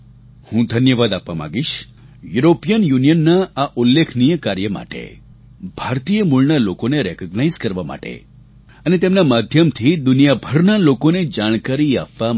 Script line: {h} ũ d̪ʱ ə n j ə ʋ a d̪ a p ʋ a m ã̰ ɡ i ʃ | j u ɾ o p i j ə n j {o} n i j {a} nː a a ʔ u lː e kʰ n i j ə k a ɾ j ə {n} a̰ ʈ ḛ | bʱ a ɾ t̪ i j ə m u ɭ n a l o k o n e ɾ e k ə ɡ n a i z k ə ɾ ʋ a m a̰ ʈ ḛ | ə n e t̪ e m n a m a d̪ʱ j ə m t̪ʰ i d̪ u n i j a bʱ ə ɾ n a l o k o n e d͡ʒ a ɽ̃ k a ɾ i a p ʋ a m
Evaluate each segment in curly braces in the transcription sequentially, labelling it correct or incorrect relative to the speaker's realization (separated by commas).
correct, incorrect, incorrect, incorrect